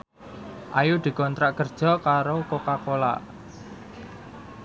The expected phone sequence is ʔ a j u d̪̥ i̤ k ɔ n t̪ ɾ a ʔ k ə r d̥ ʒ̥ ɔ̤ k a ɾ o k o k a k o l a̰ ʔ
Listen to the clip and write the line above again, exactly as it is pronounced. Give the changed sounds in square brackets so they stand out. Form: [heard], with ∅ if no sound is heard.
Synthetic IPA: ʔ a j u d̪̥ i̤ k ɔ n t̪ ɾ a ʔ k ə r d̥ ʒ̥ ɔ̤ k a ɾ o k o k a k o l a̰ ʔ